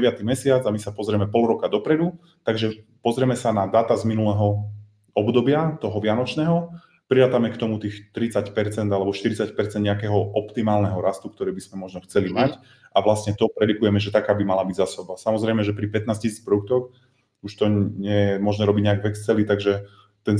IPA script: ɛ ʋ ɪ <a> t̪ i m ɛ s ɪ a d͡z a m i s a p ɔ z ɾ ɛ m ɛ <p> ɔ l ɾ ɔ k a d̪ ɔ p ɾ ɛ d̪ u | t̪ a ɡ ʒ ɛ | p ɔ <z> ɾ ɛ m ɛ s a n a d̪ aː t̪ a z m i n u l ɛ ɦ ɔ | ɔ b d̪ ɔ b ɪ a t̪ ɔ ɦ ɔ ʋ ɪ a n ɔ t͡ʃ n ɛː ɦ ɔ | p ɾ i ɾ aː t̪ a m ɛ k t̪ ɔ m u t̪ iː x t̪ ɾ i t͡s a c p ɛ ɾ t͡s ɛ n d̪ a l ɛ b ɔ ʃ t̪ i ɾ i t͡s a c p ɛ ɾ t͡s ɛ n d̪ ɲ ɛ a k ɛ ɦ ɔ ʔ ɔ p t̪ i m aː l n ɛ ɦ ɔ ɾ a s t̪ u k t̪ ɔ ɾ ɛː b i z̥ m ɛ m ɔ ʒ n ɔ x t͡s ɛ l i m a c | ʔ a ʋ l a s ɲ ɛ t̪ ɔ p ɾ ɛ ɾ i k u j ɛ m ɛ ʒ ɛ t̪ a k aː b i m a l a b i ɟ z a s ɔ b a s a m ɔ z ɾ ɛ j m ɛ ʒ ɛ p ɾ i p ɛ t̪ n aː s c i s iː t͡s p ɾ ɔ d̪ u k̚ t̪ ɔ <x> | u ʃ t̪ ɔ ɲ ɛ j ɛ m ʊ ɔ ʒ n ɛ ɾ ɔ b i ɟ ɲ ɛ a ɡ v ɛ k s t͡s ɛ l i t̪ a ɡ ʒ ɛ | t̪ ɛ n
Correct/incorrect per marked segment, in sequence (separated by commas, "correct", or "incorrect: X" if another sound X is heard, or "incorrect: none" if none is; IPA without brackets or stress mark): correct, correct, correct, correct